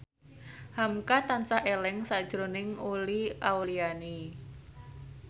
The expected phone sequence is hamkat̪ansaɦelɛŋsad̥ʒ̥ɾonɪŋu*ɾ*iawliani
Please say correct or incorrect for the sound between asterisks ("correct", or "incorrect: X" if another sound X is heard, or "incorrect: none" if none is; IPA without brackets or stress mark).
incorrect: l